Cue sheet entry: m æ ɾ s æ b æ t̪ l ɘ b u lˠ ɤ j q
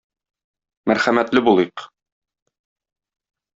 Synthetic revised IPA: m æ ɾ χ æ m æ t̪ l ɘ b u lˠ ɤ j q

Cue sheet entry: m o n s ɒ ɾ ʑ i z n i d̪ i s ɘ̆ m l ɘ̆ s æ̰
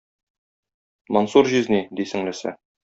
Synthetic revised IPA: m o n s u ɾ ʑ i z n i d̪ i s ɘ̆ ŋ l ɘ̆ s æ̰

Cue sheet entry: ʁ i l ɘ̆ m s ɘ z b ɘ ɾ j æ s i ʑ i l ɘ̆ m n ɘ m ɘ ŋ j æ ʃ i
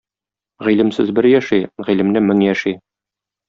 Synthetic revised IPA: ʁ i l ɘ̆ m s ɘ z b ɘ ɾ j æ ʃ i ʁ i l ɘ̆ m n ɘ m ɘ ŋ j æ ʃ i

